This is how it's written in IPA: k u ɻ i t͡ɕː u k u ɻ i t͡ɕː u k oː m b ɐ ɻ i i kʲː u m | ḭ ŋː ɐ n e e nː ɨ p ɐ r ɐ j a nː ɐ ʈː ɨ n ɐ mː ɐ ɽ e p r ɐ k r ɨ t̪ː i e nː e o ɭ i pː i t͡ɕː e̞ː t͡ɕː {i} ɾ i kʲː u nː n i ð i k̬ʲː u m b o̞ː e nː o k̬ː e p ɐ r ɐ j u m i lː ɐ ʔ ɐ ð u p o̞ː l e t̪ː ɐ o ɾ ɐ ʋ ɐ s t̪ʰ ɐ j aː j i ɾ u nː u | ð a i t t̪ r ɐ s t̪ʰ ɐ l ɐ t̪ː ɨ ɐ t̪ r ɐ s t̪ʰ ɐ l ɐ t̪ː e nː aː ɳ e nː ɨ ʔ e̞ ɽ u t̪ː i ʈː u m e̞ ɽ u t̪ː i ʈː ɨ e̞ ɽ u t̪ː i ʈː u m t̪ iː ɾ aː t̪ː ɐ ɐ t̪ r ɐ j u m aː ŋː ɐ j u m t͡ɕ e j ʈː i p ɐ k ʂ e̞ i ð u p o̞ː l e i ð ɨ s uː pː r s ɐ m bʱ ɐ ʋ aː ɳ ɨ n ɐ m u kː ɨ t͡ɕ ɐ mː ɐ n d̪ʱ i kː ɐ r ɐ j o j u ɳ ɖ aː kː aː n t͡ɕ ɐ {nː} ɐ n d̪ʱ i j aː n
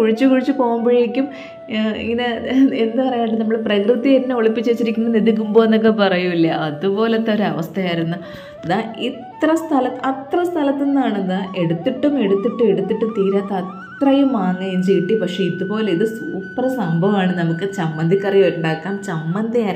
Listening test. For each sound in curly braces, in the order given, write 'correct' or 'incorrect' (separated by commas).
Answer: correct, incorrect